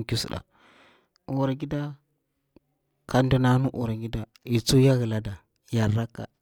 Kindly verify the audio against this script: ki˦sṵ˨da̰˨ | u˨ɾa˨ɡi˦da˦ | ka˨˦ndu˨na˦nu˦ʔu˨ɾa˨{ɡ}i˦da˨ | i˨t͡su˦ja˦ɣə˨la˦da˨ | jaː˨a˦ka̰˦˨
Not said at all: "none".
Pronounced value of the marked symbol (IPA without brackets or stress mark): ɡ